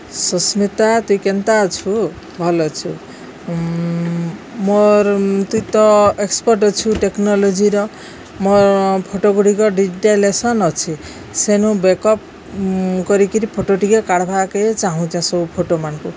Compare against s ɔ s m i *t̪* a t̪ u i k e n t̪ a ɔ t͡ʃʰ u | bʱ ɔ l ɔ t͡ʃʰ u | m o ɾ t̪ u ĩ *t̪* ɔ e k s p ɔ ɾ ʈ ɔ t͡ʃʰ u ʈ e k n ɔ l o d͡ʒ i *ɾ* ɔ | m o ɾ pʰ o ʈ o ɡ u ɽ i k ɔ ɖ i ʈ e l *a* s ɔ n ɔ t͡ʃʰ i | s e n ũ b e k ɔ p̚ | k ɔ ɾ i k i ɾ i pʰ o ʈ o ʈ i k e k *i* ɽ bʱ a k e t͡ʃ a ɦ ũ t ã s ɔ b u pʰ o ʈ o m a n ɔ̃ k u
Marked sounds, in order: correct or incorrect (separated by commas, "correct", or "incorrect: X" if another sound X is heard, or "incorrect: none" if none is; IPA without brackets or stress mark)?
correct, correct, correct, incorrect: e, incorrect: a